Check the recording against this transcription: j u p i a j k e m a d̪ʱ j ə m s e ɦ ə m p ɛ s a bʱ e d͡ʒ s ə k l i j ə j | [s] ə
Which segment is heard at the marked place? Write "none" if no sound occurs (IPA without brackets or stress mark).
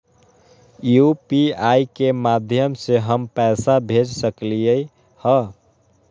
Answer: h